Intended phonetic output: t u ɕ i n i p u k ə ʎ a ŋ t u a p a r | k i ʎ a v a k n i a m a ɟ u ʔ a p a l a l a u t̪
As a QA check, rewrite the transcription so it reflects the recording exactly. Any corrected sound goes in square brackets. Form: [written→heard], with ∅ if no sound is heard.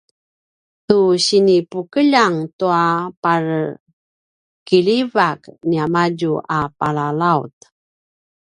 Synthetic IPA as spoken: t u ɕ i n i p u k ə ʎ a ŋ t u a p a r | k i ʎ [a→i] v a k n i a m a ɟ u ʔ a p a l a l a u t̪